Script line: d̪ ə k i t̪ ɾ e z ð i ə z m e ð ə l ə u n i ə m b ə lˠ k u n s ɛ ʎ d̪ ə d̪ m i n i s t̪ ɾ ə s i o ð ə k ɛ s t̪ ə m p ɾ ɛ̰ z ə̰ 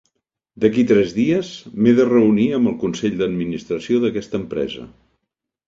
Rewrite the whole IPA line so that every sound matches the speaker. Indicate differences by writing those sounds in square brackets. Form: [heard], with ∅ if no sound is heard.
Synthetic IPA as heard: d̪ ə k i t̪ ɾ [ɛ] z ð i ə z m e ð ə [r] ə u n i ə m b ə lˠ k u n s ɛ ʎ d̪ ə d̪ m i n i s t̪ ɾ ə s i o ð ə k ɛ s t̪ ə m p ɾ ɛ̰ z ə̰